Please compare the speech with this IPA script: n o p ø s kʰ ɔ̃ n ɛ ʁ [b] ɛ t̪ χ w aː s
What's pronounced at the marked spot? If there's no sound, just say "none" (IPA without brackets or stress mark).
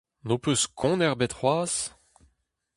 b